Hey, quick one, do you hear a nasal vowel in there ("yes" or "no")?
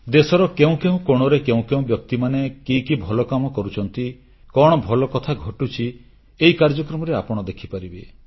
yes